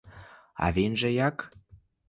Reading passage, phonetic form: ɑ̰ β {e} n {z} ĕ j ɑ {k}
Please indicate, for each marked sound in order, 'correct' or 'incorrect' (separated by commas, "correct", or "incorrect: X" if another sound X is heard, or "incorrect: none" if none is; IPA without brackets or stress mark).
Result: correct, incorrect: ʒ, correct